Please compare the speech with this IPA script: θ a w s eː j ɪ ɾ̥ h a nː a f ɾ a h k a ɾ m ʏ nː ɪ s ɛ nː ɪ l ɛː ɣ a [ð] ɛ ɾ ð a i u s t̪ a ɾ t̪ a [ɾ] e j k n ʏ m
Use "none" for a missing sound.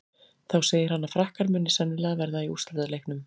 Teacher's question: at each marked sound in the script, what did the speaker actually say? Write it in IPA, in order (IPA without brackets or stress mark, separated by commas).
v, l